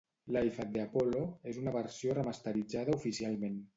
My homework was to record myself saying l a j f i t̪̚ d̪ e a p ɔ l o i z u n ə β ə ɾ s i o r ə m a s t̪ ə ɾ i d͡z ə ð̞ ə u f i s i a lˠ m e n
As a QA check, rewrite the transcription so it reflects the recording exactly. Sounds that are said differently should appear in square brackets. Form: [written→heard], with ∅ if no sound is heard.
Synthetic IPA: l a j f [i→a] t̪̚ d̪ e a p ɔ l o [i→e] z u n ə β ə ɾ s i o r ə m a s t̪ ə ɾ i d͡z [ə→a] ð̞ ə u f i s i a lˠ m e n